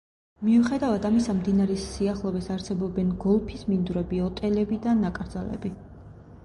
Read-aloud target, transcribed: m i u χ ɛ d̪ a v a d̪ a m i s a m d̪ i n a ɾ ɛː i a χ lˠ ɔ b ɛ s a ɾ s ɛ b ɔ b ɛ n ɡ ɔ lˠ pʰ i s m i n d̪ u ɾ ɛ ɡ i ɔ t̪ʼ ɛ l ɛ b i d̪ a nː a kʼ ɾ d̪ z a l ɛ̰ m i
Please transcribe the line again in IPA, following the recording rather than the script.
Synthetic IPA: m i u χ ɛ d̪ a v a d̪ a m i s a m d̪ i n a ɾ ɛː i a χ lˠ ɔ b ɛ s a ɾ s ɛ b ɔ b ɛ n ɡ ɔ lˠ pʰ i s m i n d̪ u ɾ ɛ b i ɔ t̪ʼ ɛ l ɛ b i d̪ a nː a kʼ ɾ d̪ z a l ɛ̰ b i

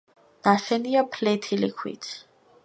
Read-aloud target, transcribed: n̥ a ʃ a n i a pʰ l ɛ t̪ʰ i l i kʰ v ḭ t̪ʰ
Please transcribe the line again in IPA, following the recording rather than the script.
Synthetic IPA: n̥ a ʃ ɛ n i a pʰ l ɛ t̪ʰ i l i kʰ w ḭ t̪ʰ

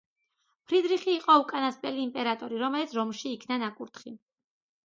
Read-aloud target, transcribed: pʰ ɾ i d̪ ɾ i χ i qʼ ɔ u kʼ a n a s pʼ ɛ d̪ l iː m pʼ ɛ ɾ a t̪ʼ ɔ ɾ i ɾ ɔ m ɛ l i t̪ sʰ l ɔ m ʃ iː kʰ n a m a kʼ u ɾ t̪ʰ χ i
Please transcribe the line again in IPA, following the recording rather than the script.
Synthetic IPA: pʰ ɾ i d̪ ɾ i χ iː qʼ ɔ u kʼ a n a s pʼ ɛ l iː m pʼ ɛ ɾ a t̪ʼ ɔ ɾ i ɾ ɔ m ɛ l i t̪ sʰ ɾ ɔ m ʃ iː kʰ n a n a kʼ u ɾ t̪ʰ χ i

